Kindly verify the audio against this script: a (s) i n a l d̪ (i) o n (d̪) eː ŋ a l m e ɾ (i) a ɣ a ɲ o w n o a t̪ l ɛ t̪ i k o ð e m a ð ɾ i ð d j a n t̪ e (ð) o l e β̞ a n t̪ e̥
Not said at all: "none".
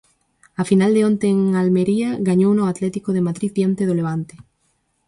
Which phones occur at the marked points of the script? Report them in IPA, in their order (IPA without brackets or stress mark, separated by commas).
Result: f, e, t̪, i, ð